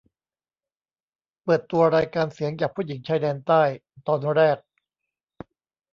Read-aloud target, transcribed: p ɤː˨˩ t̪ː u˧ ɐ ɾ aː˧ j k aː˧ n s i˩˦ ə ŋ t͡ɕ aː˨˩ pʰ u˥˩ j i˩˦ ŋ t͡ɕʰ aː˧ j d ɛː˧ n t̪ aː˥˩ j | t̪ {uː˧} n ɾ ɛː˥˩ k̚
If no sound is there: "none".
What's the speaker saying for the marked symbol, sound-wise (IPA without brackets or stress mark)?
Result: ɔː˧